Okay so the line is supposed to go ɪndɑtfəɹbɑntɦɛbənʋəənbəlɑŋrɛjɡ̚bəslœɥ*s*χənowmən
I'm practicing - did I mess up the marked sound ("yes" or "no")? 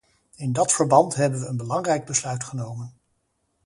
yes